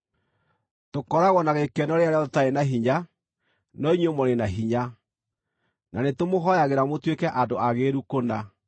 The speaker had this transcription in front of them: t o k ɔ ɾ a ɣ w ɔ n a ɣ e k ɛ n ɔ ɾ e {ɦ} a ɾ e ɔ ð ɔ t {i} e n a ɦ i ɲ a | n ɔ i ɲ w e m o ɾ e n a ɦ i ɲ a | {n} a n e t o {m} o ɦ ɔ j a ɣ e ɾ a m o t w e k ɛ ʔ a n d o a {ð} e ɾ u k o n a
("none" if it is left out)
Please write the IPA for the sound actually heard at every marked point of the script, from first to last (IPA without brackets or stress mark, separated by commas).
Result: none, a, n, m, ɣ